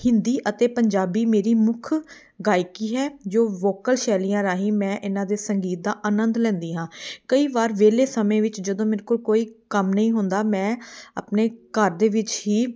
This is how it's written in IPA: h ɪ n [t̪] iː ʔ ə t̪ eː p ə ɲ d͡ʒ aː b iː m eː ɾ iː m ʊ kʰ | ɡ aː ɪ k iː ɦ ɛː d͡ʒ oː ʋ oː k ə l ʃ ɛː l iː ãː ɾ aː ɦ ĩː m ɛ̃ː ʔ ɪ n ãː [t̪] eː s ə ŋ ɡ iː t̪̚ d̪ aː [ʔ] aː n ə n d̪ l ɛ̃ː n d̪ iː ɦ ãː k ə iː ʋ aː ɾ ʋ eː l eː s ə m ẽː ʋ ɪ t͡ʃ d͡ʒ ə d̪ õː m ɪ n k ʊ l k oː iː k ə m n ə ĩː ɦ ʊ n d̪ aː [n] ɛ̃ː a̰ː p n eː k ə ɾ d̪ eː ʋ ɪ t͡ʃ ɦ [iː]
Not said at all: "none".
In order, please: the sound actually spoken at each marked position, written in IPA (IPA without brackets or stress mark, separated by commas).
d̪, d̪, ʔ, m, iː